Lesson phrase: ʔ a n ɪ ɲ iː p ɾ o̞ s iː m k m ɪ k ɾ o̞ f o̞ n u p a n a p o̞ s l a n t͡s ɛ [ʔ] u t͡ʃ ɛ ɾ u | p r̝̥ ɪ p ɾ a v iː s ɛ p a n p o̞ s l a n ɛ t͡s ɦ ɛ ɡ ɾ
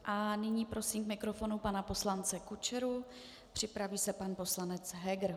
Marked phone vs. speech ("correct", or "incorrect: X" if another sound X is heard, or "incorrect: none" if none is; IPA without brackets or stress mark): incorrect: k